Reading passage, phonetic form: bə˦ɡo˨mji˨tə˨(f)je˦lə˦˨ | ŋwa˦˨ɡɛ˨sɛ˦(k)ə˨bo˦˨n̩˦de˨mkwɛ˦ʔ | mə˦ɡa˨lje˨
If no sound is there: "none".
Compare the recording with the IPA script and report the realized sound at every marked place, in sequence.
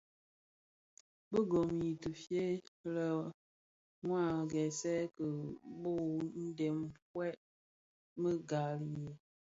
f, k

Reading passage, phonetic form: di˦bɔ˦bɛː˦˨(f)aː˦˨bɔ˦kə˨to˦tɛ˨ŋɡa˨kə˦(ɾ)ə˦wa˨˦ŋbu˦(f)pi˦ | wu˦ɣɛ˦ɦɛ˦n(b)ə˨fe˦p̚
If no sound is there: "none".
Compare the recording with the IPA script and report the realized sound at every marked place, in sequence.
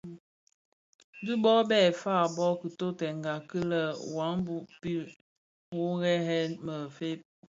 f, l, none, m

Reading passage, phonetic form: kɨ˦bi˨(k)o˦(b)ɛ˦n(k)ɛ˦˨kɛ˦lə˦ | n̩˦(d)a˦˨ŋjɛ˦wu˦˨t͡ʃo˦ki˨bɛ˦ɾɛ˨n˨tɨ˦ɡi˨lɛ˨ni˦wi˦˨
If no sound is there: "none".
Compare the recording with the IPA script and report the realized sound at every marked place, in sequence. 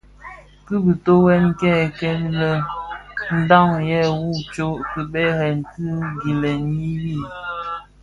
t, w, k, d

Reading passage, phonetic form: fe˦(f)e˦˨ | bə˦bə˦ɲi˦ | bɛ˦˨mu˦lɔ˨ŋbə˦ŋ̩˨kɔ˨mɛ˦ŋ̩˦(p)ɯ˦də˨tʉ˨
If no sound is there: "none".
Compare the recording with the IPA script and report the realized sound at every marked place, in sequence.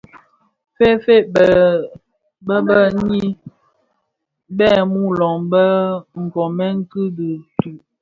f, k

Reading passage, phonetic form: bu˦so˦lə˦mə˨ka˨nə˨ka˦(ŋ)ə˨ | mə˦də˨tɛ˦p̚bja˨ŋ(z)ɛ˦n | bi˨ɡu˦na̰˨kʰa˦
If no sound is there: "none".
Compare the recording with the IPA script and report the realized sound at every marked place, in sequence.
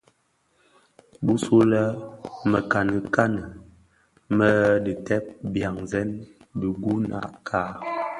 n, z

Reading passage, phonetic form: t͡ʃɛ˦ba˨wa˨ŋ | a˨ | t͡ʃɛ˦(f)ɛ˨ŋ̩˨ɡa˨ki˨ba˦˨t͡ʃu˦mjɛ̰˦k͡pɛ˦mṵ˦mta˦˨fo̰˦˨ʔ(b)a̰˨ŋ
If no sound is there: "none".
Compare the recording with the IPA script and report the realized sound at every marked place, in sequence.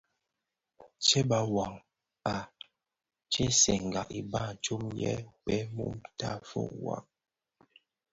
s, w

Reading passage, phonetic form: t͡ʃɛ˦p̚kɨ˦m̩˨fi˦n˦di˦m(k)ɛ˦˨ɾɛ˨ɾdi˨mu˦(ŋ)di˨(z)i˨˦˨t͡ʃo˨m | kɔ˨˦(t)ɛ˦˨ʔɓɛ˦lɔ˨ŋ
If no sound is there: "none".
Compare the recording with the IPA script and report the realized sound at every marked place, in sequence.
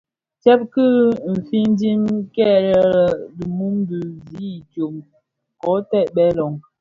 k, m, z, t

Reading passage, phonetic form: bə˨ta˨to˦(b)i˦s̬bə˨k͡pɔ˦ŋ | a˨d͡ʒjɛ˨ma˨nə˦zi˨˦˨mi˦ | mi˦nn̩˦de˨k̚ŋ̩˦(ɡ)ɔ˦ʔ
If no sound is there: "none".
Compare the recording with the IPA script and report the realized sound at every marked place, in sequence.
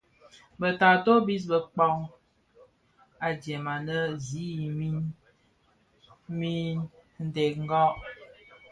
b, ɡ

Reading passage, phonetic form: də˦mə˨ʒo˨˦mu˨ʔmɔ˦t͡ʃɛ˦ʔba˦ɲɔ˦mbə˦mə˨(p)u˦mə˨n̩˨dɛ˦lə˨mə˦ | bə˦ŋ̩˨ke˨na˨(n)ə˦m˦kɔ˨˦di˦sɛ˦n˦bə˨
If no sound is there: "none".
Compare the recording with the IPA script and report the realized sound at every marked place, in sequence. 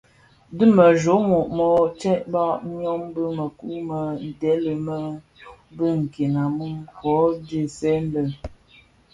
k, m

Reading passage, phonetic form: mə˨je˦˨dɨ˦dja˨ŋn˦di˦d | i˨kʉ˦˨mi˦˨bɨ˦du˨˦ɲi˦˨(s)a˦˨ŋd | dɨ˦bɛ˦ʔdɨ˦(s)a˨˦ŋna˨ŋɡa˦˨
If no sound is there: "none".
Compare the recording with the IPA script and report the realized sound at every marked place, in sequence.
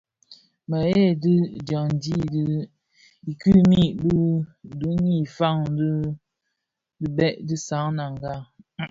f, s

